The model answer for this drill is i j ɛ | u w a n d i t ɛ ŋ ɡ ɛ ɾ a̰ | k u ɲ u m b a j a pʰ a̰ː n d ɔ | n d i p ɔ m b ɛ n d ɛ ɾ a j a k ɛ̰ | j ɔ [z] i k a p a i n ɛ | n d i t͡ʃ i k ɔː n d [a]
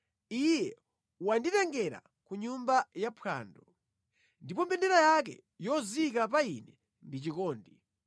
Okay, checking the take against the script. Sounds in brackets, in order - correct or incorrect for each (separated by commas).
correct, incorrect